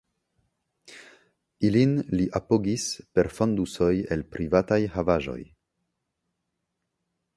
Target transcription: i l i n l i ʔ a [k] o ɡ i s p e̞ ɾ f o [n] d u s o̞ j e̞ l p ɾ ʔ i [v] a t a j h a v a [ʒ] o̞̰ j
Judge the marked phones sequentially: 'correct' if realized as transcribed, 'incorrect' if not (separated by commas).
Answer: incorrect, correct, correct, correct